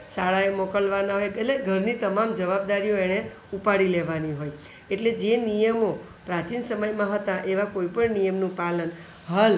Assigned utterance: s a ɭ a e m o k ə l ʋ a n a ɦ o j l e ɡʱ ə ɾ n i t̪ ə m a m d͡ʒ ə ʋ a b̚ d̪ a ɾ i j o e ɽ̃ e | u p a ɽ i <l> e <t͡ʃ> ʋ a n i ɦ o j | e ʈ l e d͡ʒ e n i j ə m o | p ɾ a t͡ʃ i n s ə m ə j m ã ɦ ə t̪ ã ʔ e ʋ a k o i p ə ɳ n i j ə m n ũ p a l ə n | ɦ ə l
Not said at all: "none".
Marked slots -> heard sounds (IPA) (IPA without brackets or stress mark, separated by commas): l, none